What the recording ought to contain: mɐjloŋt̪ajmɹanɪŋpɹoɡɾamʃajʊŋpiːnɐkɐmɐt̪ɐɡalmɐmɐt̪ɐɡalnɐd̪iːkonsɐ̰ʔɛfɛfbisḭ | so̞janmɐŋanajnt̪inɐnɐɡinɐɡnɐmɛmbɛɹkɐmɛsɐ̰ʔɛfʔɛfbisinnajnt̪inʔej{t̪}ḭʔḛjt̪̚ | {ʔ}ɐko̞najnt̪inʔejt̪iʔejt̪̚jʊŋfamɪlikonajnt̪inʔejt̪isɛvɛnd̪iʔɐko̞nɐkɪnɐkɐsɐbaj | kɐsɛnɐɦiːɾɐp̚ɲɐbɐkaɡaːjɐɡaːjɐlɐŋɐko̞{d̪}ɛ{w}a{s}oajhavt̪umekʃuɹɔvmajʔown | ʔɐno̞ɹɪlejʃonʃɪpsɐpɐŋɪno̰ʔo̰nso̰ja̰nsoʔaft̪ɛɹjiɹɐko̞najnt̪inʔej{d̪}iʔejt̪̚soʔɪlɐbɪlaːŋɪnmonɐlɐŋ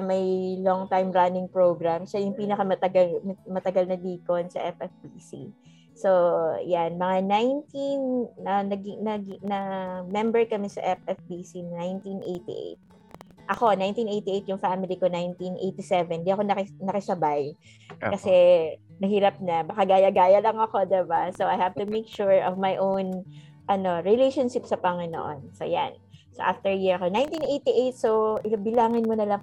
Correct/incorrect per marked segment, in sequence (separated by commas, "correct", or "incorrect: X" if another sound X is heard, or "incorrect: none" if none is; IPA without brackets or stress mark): correct, correct, correct, incorrect: b, correct, incorrect: t̪